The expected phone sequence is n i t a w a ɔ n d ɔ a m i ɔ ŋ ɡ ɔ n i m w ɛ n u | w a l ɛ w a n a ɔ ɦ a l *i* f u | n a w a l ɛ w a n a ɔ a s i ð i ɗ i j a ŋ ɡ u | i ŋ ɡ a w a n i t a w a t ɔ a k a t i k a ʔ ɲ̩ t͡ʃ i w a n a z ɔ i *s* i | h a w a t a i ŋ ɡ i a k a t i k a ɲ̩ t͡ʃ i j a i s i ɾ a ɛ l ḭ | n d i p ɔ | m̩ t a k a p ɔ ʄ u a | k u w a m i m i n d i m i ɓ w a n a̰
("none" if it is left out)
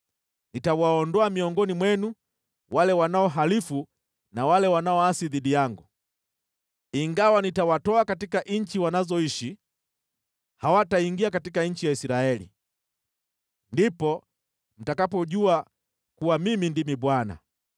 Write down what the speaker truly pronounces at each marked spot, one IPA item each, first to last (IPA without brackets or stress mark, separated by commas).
i, ʃ